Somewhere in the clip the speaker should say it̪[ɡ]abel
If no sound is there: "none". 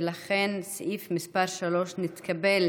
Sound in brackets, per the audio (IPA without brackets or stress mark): k